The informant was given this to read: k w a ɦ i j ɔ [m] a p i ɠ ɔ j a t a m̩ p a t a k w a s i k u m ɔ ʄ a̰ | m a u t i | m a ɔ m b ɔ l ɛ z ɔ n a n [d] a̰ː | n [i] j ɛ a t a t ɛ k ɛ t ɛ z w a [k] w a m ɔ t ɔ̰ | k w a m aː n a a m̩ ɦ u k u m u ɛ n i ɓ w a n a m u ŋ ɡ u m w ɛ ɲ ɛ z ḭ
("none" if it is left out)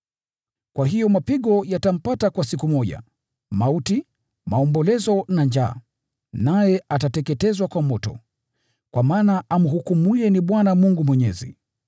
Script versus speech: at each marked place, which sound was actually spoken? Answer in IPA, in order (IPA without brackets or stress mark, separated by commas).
m, d͡ʒ, a, k